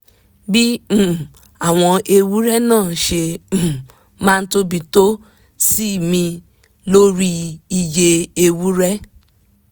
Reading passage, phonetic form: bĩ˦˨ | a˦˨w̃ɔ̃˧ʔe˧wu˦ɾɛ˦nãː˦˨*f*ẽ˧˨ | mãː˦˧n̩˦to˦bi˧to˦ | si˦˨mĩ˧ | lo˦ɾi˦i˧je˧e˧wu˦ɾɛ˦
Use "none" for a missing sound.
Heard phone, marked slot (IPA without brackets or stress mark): ʃ